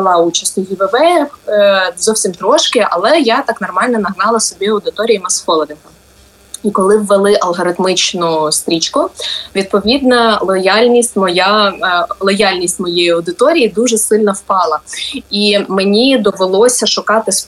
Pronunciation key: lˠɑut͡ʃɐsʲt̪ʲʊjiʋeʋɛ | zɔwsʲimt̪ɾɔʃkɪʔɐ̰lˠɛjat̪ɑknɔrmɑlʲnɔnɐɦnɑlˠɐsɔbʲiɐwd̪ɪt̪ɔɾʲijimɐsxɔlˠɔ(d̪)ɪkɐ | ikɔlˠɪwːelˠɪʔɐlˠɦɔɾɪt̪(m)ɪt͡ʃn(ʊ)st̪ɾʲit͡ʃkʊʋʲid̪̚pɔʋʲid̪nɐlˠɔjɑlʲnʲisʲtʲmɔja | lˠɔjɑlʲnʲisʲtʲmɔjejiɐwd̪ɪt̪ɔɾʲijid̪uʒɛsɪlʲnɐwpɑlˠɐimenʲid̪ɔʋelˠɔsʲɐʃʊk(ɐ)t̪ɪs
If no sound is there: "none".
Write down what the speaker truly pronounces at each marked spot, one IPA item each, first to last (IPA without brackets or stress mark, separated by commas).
d̪, m, ʊ, ɑ